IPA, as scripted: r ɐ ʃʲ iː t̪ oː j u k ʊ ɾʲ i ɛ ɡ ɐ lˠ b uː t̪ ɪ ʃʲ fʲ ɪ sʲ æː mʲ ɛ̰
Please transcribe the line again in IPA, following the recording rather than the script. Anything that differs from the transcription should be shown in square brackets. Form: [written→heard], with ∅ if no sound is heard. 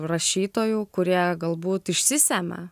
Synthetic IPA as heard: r ɐ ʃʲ iː t̪ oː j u k ʊ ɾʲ i ɛ ɡ ɐ lˠ b uː t̪ ɪ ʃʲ [fʲ→sʲ] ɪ sʲ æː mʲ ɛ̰